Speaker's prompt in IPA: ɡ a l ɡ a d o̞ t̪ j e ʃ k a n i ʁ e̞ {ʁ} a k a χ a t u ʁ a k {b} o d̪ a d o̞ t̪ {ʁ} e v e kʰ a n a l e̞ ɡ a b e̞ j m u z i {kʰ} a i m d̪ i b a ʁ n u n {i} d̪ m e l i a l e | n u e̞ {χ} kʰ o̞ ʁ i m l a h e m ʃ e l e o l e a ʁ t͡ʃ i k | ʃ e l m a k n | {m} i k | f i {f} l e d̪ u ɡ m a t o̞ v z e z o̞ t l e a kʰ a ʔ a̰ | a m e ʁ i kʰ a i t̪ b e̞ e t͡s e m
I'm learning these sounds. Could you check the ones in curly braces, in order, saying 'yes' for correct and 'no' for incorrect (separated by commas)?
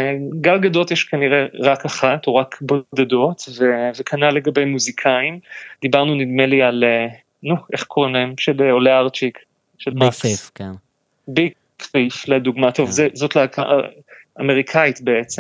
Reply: yes, yes, no, yes, yes, yes, no, yes